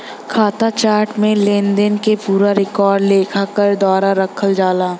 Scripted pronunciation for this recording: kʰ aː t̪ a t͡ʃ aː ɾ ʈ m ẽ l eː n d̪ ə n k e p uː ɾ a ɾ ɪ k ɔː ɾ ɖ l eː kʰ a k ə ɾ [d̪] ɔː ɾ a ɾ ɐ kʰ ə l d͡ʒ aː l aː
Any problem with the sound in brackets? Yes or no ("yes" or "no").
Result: no